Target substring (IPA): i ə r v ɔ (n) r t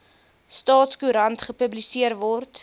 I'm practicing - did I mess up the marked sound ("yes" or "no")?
yes